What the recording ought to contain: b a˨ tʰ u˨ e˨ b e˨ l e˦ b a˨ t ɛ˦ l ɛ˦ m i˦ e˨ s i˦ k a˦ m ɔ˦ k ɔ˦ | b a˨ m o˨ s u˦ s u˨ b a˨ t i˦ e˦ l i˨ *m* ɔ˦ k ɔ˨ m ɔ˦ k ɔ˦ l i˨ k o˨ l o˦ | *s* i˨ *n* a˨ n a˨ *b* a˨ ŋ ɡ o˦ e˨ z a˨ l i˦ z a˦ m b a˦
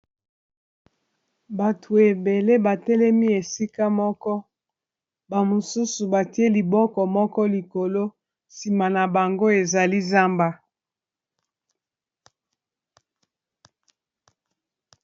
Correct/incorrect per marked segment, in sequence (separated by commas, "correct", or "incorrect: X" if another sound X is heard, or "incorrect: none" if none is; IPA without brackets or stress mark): incorrect: b, correct, incorrect: m, correct